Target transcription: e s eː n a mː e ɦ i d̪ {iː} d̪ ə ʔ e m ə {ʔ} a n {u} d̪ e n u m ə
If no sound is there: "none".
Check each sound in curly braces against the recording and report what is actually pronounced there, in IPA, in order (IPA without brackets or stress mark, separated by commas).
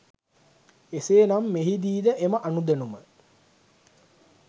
iː, ʔ, u